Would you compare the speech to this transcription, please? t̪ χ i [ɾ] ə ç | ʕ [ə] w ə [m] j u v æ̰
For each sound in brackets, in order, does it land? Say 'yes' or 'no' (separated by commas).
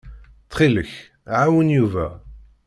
no, no, no